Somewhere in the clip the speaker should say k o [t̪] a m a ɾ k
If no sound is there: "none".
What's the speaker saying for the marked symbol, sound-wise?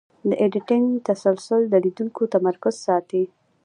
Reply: t̪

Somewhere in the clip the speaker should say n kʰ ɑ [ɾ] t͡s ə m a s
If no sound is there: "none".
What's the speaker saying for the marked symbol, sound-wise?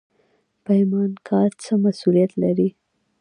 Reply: ɾ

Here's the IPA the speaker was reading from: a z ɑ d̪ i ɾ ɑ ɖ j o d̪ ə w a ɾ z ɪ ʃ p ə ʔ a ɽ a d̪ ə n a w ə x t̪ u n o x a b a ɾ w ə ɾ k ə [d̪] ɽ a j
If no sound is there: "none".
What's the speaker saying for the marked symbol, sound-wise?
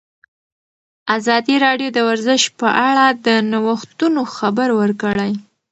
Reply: none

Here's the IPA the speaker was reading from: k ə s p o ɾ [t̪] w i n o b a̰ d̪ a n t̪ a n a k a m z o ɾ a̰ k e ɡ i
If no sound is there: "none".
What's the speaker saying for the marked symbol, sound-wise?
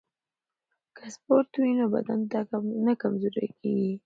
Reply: t̪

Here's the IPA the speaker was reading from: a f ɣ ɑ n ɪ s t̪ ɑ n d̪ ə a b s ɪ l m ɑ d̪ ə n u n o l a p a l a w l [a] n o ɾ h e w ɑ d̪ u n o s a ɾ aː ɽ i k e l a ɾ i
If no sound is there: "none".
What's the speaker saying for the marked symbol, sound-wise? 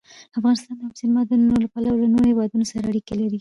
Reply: a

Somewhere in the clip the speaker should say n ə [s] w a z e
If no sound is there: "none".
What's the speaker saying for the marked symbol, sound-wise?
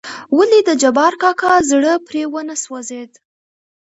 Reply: s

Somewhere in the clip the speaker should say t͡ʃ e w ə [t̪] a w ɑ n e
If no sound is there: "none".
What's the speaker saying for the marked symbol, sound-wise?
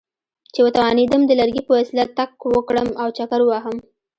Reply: t̪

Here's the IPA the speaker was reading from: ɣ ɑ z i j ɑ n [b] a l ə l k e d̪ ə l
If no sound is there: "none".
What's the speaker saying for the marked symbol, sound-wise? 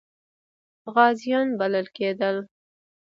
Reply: b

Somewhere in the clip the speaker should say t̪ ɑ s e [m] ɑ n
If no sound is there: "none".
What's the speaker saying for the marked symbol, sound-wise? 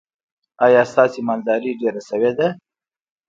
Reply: m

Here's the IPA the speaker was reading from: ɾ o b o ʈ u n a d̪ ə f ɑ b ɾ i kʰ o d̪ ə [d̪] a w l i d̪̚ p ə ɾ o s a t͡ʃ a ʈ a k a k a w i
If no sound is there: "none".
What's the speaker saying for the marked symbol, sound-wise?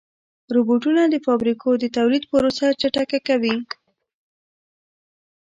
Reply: t̪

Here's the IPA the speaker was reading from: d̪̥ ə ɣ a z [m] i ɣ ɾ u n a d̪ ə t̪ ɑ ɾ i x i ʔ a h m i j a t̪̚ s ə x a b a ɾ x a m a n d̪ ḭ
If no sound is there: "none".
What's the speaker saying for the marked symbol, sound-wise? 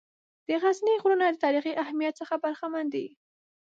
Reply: n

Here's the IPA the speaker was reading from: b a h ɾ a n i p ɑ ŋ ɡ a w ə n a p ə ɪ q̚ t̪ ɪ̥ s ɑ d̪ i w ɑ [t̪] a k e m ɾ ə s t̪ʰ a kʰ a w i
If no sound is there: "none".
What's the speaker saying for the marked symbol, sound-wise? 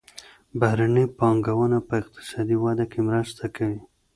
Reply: d̪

